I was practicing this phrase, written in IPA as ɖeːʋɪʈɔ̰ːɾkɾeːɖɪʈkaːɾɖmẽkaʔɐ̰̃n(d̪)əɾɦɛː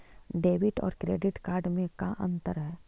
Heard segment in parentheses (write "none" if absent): t̪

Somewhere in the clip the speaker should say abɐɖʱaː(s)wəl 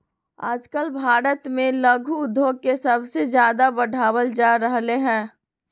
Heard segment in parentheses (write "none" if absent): none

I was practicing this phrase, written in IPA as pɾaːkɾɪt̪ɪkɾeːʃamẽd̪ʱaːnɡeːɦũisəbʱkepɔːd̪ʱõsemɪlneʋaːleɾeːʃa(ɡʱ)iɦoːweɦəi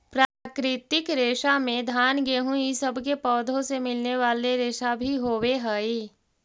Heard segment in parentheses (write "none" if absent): bʱ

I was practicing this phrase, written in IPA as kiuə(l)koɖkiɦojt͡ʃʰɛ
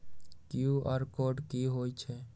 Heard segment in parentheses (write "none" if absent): ɾ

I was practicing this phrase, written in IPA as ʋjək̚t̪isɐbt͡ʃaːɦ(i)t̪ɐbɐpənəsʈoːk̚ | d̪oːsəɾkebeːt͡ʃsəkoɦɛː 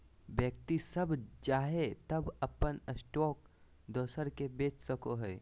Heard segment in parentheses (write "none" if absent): e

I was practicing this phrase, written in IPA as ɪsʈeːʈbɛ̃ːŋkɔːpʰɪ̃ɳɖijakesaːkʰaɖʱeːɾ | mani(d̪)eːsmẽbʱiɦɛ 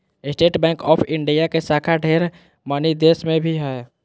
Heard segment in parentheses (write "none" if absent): d̪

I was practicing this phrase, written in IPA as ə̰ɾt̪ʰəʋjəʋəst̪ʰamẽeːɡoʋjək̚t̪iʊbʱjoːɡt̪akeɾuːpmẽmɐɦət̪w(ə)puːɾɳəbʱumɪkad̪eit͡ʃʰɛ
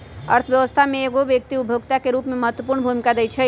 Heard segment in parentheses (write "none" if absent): ə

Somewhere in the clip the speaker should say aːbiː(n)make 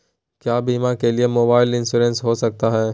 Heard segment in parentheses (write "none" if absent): none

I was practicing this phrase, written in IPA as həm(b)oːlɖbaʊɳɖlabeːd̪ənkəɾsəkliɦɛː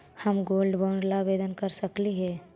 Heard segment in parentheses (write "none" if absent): ɡ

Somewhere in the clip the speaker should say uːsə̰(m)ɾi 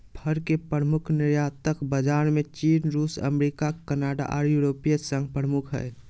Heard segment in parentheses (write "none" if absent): m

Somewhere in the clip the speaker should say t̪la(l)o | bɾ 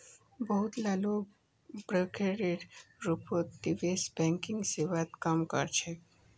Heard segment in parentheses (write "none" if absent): l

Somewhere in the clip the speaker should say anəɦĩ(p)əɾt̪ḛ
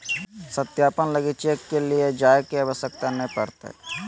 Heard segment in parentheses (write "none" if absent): p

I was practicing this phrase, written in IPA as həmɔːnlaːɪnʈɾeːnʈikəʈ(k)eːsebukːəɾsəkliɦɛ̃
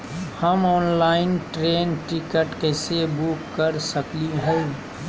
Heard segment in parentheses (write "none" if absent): k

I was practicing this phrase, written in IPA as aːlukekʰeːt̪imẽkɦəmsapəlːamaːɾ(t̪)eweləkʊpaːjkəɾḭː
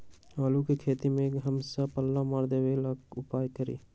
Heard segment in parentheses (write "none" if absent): d̪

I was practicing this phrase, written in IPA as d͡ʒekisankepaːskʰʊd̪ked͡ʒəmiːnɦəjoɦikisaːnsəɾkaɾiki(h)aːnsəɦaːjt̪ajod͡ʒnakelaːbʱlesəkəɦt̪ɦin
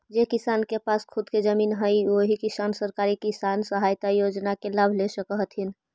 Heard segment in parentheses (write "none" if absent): s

